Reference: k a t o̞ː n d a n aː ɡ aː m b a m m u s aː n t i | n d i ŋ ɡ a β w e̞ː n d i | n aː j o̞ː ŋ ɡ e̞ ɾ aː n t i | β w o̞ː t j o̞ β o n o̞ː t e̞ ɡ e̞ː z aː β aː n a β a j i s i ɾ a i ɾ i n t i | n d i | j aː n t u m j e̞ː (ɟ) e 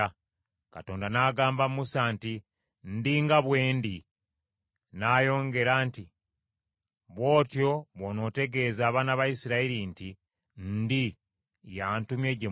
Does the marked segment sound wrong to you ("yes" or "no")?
no